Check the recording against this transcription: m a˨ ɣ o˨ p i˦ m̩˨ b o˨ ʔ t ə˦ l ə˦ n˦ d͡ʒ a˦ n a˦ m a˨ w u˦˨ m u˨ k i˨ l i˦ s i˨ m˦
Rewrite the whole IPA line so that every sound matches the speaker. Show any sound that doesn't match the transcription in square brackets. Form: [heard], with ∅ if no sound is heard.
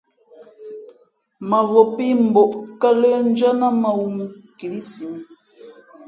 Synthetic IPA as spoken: m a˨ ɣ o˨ p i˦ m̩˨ b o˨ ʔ [k] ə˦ l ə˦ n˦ d͡ʒ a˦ n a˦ m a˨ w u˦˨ m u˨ k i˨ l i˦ s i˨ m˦

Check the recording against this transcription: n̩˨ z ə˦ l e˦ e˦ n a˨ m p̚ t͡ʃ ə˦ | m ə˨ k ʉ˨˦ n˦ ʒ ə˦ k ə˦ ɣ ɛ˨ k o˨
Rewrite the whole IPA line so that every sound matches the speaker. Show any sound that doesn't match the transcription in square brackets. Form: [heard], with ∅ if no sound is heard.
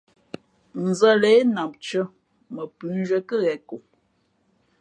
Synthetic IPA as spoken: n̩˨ z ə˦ l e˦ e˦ n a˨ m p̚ t͡ʃ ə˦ | m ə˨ [p] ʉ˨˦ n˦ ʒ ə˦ k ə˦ ɣ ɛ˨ k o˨

